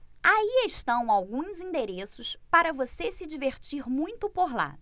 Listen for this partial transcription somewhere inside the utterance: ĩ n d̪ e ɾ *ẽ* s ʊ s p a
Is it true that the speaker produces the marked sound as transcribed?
no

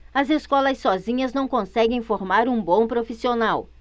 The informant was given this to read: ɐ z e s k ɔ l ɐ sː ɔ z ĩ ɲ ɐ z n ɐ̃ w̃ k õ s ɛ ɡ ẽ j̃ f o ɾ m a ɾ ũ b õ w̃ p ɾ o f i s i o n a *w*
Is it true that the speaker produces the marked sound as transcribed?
yes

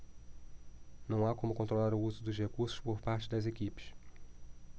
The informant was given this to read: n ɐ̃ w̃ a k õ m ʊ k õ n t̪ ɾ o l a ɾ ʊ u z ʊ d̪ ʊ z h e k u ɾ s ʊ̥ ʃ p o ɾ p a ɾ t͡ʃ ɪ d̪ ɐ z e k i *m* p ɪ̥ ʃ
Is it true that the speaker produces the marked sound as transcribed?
no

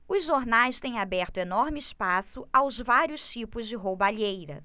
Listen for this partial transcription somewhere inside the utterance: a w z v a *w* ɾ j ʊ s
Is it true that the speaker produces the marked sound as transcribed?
no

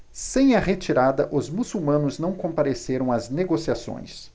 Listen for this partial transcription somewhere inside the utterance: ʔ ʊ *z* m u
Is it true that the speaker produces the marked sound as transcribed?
yes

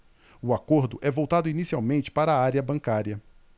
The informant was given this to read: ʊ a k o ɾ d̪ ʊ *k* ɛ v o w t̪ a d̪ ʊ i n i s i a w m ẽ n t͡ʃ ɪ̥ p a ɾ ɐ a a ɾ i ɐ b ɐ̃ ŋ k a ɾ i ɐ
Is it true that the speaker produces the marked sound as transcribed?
no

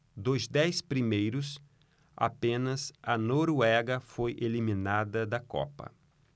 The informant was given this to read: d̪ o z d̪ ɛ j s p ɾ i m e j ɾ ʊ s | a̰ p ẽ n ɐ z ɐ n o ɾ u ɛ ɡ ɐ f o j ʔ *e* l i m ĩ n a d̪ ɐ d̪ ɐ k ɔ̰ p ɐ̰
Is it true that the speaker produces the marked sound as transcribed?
yes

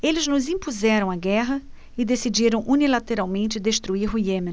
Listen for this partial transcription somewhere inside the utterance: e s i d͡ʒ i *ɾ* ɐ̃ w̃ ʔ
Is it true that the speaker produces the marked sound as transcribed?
yes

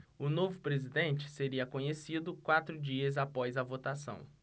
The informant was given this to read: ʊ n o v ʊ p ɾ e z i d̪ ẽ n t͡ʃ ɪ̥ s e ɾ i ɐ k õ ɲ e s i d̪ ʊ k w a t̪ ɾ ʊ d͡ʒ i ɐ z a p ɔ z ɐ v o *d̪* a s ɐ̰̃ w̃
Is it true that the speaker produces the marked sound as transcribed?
no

